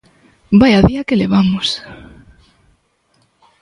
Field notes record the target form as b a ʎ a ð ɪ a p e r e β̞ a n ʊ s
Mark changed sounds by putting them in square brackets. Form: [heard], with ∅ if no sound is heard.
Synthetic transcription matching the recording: b a [j] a ð [i] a [k] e [l] e β̞ a [m] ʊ s